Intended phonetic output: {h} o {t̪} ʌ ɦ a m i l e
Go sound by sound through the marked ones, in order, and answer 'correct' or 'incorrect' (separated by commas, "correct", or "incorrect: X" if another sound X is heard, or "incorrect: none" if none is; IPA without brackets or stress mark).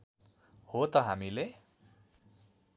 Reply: correct, correct